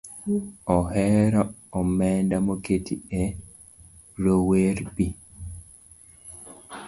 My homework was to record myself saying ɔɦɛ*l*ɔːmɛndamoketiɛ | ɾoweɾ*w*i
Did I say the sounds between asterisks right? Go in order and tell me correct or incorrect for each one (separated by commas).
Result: incorrect, incorrect